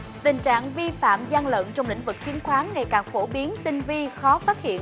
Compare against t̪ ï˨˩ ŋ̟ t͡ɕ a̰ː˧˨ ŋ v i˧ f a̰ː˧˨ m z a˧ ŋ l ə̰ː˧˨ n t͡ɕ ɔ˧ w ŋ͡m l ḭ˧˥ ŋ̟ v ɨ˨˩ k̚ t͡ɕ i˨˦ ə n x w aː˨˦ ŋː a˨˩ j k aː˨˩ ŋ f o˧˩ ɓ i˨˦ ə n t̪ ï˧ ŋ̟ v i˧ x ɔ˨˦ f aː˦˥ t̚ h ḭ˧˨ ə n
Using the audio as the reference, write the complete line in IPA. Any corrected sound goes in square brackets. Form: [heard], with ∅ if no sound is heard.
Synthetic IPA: t̪ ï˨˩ ŋ̟ t͡ɕ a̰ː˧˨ ŋ v i˧ f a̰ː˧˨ m z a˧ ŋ l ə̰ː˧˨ n t͡ɕ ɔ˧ w ŋ͡m l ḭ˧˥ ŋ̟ v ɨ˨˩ k̚ t͡ɕ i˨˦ ə n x w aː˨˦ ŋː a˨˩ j k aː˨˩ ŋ f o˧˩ ɓ i˨˦ ə n t̪ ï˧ ŋ̟ v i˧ x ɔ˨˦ f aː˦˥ t̚ h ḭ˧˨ ə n